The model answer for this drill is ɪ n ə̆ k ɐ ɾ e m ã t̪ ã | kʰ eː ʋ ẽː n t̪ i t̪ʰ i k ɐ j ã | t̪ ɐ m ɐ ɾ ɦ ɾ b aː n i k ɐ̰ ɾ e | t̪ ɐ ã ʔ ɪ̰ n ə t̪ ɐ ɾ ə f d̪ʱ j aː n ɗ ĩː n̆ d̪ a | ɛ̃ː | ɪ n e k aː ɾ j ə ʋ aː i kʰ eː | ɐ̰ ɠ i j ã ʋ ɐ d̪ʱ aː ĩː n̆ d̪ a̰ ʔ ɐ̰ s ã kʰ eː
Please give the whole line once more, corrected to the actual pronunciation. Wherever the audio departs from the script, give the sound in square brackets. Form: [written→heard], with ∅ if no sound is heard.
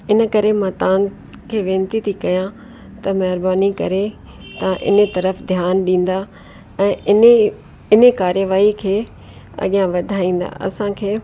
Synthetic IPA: ɪ n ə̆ k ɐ ɾ e m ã t̪ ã | kʰ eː ʋ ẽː n t̪ i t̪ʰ i k ɐ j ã | t̪ ɐ m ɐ [ɾ→∅] ɦ ɾ b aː n i k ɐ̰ ɾ e | t̪ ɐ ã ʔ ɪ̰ n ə t̪ ɐ ɾ ə f d̪ʱ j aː n ɗ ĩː n̆ d̪ a | ɛ̃ː | ɪ n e k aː ɾ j ə ʋ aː i kʰ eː | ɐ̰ ɠ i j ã ʋ ɐ d̪ʱ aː ĩː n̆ d̪ a̰ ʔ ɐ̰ s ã kʰ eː